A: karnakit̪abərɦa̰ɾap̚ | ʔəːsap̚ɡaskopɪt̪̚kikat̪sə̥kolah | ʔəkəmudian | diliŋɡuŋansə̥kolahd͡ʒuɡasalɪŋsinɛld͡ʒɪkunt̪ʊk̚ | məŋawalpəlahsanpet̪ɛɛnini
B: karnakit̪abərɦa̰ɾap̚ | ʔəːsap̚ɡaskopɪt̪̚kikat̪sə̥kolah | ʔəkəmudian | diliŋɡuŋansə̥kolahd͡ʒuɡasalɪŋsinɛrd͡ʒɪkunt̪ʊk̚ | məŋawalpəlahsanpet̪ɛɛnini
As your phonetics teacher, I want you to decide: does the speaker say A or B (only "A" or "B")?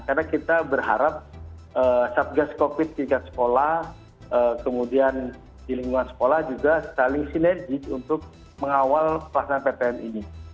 B